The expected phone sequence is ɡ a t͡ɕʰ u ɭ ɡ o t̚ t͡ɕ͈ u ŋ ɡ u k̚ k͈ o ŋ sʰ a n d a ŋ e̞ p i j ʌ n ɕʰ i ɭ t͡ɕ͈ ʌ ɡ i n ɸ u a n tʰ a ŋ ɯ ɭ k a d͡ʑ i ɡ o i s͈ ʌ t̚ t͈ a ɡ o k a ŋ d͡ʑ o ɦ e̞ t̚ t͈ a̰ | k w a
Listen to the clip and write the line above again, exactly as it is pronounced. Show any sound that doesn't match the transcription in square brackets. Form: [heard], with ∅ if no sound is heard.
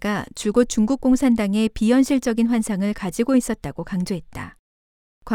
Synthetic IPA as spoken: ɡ a [t͡ɕ] u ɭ ɡ o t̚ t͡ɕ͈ u ŋ ɡ u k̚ k͈ o ŋ sʰ a n d a ŋ e̞ p i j ʌ n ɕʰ i ɭ t͡ɕ͈ ʌ ɡ i n ɸ [w] a n [sʰ] a ŋ ɯ ɭ k a d͡ʑ i ɡ o i s͈ ʌ t̚ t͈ a ɡ o k a ŋ d͡ʑ o ɦ e̞ t̚ t͈ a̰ | k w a